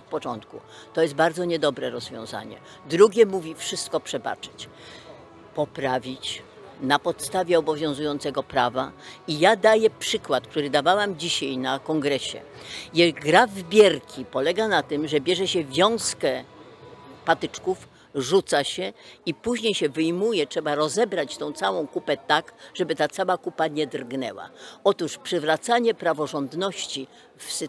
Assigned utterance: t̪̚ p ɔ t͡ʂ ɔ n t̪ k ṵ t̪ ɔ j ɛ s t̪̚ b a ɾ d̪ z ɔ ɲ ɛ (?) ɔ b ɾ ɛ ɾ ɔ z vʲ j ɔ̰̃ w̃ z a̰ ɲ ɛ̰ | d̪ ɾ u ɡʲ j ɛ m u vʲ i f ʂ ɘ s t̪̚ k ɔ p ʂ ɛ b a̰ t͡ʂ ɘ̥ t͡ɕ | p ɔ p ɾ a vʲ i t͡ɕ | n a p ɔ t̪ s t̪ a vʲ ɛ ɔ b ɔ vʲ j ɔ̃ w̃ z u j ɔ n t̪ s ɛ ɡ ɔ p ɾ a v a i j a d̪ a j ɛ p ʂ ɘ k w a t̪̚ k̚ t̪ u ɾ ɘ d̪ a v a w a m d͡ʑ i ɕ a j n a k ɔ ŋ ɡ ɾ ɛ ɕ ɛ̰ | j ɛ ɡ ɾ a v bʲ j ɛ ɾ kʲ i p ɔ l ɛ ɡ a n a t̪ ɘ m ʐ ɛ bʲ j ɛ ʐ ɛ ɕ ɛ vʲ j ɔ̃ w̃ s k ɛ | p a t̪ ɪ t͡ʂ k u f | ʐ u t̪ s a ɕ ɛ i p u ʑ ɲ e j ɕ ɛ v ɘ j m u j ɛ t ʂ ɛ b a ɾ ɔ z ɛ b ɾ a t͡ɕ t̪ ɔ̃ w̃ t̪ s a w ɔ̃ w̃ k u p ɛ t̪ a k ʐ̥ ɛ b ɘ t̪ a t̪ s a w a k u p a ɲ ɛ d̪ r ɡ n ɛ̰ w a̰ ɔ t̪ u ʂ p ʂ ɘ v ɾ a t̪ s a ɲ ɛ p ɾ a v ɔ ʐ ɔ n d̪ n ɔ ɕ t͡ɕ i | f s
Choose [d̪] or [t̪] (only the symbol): d̪